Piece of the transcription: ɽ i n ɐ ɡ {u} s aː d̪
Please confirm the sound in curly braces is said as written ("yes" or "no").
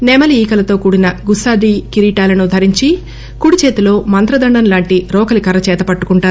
yes